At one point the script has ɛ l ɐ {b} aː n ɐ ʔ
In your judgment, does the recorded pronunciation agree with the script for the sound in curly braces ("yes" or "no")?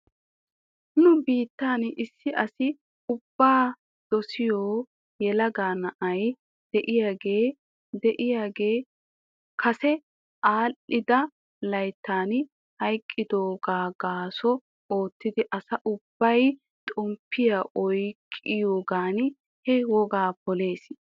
no